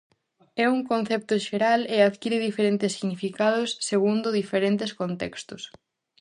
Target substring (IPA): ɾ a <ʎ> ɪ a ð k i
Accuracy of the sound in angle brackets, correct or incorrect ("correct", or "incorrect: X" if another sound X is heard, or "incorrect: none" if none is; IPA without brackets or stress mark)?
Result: incorrect: l